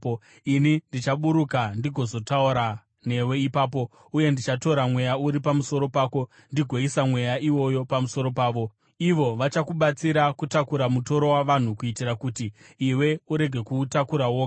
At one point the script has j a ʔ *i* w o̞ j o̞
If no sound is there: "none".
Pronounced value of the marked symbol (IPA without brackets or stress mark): i